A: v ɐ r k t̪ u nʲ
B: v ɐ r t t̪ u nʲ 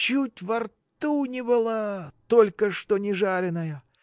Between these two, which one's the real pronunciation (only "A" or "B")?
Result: B